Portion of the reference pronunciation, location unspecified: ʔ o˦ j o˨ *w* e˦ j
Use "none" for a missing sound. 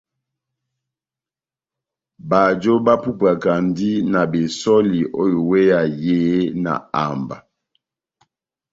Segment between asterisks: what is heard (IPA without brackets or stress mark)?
w